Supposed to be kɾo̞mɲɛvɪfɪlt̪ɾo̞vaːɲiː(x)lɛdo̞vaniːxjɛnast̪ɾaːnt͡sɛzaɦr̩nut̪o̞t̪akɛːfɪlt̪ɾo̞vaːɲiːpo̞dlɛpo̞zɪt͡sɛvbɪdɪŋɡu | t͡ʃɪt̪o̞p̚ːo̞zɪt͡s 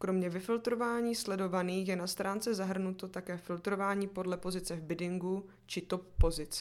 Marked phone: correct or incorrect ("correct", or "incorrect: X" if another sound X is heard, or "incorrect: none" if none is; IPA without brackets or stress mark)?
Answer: incorrect: s